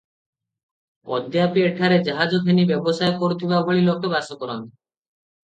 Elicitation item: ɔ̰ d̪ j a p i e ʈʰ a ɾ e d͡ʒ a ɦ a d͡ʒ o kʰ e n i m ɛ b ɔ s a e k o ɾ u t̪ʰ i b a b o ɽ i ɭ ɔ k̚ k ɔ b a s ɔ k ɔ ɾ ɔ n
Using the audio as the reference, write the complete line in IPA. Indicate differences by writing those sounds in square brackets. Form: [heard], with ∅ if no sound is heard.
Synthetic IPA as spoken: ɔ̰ d̪ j a p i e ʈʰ a ɾ e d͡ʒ a ɦ a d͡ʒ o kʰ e n i [b] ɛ b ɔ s a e k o ɾ u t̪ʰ i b a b o [ɭ] i [l] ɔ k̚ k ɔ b a s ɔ k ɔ ɾ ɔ n